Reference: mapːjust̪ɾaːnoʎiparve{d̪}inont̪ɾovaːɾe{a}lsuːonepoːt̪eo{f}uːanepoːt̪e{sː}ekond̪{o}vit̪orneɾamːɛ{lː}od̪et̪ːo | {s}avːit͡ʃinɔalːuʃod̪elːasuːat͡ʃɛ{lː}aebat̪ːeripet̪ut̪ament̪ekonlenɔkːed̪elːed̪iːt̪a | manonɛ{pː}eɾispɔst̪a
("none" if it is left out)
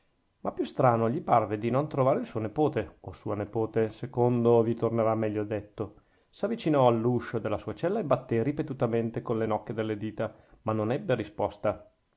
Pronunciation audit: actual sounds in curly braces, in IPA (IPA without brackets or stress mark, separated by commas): d̪, i, s, s, o, ʎː, s, lː, bː